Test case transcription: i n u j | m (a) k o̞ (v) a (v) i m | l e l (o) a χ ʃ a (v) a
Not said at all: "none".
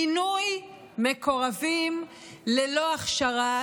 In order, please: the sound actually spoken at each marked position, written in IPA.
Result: e, ʁ, v, o, ʁ

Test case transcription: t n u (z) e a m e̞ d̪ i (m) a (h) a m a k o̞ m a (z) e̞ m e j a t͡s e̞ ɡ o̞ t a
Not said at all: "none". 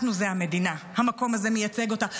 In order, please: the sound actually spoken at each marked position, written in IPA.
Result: z, n, h, z

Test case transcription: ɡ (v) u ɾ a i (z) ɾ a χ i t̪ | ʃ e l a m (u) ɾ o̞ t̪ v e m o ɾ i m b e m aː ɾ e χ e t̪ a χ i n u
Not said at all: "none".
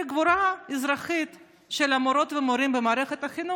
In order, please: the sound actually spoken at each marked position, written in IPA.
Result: v, z, o

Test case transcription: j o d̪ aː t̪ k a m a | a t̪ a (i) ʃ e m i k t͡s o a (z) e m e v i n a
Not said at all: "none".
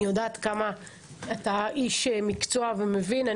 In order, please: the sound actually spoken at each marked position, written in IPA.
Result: i, v

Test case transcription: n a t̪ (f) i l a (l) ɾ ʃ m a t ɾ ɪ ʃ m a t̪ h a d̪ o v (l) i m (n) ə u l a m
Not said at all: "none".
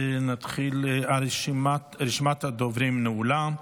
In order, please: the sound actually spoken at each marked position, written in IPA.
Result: χ, none, ɾ, n

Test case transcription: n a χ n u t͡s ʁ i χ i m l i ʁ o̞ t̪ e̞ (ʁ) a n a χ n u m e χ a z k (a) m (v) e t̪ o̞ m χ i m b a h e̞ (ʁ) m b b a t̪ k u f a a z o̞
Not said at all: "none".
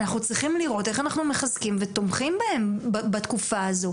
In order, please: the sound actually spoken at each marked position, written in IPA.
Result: χ, i, v, none

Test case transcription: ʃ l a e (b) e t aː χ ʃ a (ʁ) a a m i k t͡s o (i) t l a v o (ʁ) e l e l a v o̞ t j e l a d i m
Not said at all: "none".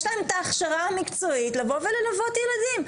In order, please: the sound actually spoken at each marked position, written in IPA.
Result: m, ʁ, i, v

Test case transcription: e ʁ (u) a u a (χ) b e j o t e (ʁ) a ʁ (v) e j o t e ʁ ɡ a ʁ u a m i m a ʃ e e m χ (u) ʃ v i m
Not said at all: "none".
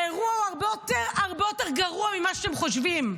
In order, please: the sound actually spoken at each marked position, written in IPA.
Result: u, ʁ, ʁ, b, o

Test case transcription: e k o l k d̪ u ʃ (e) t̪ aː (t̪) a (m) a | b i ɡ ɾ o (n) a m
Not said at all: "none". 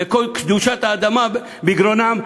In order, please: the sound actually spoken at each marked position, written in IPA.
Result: a, d̪, m, n

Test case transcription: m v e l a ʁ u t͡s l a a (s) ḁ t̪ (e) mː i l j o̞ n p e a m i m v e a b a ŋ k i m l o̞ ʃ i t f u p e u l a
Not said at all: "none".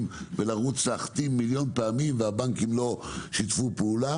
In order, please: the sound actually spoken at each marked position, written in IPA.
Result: χ, i

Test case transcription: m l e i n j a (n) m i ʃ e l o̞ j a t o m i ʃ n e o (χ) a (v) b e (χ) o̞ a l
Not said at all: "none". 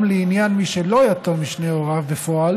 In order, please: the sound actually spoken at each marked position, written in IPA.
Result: n, ʁ, v, f

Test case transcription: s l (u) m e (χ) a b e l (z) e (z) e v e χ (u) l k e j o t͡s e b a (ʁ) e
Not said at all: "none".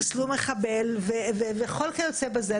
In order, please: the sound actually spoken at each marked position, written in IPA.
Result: u, χ, v, v, o, z

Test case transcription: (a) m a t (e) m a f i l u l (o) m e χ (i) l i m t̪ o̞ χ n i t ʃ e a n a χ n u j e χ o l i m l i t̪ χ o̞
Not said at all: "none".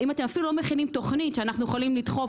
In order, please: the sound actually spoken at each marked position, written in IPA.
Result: i, e, o, i

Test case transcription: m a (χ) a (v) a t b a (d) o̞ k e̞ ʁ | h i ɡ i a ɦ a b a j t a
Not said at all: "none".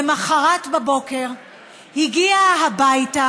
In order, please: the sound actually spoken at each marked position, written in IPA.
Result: χ, ʁ, b

